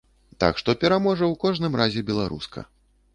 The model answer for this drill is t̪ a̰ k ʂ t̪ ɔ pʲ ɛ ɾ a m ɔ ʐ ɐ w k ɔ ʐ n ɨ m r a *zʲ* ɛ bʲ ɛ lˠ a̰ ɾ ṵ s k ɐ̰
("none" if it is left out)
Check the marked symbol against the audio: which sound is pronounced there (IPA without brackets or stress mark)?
zʲ